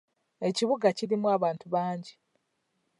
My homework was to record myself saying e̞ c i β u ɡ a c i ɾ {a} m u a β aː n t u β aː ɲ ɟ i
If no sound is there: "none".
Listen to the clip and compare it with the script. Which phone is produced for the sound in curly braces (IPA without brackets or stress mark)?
i